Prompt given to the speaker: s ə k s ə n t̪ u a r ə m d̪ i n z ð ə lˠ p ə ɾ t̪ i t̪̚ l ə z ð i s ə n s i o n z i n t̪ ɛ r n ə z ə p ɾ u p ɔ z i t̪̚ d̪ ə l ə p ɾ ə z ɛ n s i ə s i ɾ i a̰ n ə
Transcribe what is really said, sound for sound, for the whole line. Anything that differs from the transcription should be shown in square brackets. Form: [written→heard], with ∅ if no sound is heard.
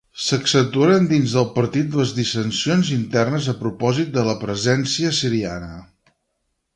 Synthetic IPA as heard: s ə k s ə n t̪ u a [r→ɾ] ə [m→n] d̪ i n z ð ə lˠ p ə ɾ t̪ i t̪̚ l ə z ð i s ə n s i o n z i n t̪ ɛ r n ə z ə p ɾ u p ɔ z i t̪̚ d̪ ə l ə p ɾ ə z ɛ n s i ə s i ɾ i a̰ n ə